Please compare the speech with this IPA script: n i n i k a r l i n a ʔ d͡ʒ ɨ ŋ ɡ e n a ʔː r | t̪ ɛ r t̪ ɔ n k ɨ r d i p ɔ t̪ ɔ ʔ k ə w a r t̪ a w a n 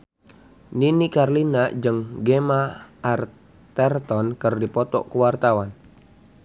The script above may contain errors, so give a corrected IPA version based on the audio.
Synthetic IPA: n i n i k a r l i n a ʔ d͡ʒ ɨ ŋ ɡ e m a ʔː r | t̪ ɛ r t̪ ɔ n k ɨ r d i p ɔ t̪ ɔ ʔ k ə w a r t̪ a w a n